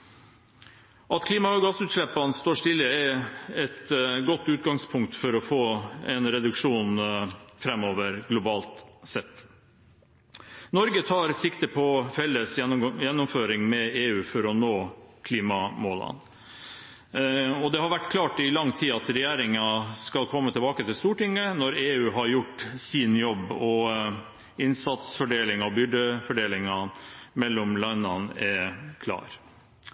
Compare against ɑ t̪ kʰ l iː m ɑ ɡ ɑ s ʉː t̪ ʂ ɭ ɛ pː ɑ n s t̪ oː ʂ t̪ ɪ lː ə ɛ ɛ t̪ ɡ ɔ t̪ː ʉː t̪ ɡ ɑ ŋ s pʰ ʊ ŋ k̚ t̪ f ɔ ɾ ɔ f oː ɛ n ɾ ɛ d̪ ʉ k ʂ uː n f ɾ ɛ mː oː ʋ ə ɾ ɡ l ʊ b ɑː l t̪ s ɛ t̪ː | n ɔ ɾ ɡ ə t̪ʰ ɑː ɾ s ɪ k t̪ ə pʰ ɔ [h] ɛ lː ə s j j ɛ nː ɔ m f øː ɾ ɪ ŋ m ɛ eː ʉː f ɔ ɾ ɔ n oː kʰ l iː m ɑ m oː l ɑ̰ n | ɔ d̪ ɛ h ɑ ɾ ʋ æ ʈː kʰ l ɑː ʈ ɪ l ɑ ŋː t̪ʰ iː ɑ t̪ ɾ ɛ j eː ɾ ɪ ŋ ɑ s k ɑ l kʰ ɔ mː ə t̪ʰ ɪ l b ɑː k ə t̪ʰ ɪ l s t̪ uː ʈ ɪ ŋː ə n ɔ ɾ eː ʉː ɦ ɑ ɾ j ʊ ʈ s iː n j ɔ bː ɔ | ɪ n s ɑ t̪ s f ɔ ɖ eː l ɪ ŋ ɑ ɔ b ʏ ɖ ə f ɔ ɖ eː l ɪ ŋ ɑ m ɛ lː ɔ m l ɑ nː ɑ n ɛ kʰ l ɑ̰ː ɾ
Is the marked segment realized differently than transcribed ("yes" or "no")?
yes